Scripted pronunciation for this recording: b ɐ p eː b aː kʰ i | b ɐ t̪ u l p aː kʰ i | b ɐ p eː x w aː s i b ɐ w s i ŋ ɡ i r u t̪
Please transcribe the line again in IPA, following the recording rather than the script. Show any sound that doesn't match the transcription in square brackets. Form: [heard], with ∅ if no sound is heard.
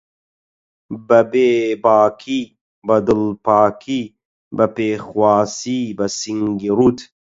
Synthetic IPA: b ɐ [b] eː b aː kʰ i | b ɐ [d̪] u l p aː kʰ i | b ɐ p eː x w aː s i b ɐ [∅] s i ŋ ɡ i [ɾ] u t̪